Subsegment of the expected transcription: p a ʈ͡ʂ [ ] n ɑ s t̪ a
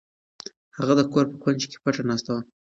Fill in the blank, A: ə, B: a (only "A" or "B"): B